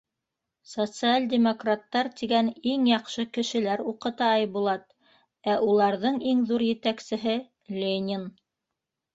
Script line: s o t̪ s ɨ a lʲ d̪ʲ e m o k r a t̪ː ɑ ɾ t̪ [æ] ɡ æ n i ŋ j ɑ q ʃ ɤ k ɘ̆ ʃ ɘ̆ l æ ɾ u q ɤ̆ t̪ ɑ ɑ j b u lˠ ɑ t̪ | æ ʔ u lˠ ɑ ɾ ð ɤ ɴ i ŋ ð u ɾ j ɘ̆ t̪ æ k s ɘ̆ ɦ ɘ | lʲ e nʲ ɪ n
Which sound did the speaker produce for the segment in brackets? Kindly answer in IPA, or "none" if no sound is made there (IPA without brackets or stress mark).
i